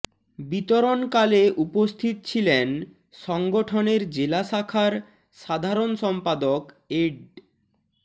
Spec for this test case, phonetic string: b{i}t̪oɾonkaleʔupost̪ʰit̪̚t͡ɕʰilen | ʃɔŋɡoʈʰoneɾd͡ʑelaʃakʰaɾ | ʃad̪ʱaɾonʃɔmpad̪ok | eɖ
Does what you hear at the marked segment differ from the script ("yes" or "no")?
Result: no